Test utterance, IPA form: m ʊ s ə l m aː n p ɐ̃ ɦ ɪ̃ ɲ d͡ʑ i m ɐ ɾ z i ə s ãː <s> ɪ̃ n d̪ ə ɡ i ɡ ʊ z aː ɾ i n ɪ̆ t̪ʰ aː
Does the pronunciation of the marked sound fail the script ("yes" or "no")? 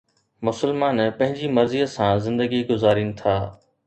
yes